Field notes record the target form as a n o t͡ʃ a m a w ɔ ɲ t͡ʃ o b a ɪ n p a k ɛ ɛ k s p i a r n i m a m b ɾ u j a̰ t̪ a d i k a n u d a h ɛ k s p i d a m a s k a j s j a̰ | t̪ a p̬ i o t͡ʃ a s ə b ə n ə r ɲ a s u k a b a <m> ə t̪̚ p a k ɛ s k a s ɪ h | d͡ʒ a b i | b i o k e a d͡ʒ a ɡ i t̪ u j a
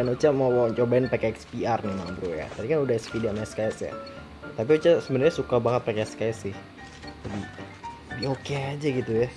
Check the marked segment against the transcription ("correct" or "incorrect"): incorrect